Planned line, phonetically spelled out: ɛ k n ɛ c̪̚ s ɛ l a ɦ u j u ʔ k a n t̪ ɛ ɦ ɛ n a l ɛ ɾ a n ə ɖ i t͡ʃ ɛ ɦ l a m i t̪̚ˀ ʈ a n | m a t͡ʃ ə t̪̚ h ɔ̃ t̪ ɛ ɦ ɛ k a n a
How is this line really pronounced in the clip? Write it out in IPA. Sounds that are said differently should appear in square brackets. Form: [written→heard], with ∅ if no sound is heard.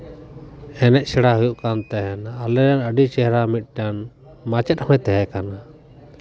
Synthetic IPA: ɛ [k→∅] n ɛ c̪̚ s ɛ [l→ɽ] a ɦ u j u ʔ k a n t̪ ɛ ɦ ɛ n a l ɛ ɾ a n ə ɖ i t͡ʃ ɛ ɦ [l→ɾ] a m i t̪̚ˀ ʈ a n | m a t͡ʃ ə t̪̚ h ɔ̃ t̪ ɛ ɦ ɛ k a n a